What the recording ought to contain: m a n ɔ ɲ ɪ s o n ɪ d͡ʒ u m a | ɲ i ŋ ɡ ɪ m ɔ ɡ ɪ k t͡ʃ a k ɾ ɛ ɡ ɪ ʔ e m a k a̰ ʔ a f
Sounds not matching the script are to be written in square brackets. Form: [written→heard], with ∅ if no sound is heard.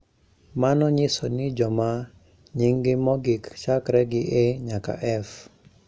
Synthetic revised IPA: m a n ɔ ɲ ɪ s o n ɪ d͡ʒ [u→ɔ] m a | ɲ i ŋ ɡ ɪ m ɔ ɡ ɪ k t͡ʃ a k ɾ ɛ ɡ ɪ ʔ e [m→ɲ] a k a̰ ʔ [a→ɛ] f